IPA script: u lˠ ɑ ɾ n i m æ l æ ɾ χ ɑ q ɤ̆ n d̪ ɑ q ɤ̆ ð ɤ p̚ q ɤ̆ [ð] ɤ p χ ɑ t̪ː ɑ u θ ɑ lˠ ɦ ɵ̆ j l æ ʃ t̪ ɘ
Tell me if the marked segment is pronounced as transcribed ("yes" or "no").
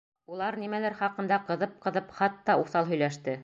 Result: yes